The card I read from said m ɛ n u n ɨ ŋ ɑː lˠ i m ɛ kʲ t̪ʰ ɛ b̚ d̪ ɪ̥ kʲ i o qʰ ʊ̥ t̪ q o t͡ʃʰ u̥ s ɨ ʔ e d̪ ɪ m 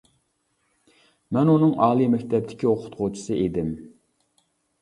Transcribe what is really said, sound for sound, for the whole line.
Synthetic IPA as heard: m ɛ n u n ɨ ŋ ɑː lˠ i m ɛ kʲ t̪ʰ ɛ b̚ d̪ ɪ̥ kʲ i o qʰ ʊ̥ t̪ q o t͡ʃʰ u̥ s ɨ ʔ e d̪ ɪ m